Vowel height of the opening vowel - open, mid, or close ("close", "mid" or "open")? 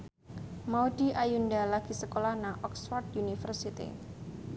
open